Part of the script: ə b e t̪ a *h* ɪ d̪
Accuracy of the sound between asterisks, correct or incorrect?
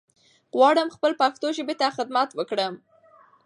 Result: incorrect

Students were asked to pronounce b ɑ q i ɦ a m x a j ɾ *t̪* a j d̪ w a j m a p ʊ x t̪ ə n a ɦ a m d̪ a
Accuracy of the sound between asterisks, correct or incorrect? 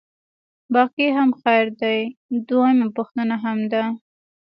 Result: incorrect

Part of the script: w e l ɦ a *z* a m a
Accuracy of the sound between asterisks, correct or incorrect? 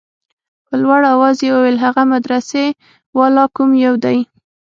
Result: incorrect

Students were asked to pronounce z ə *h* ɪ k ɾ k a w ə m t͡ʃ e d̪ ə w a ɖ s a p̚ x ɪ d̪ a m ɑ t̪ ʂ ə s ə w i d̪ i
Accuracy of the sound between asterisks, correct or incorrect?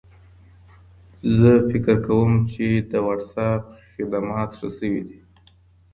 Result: incorrect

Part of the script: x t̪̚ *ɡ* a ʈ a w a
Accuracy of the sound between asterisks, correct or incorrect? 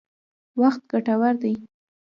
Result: correct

